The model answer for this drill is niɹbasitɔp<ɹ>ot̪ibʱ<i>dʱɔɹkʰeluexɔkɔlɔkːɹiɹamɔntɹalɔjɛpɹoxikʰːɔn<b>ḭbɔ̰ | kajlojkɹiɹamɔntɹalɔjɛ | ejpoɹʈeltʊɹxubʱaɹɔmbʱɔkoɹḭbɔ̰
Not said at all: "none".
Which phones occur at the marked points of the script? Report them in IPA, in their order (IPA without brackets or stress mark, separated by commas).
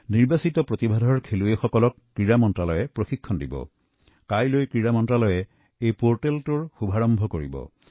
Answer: ɹ, a, d